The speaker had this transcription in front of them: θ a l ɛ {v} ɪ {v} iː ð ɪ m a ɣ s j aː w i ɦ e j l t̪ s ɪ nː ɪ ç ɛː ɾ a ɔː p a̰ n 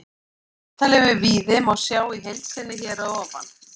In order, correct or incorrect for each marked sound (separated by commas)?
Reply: correct, correct